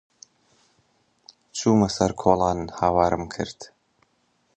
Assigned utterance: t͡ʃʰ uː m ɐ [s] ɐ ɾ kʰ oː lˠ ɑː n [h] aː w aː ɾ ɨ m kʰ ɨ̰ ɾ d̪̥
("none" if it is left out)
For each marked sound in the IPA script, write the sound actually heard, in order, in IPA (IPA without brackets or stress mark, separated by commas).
s, h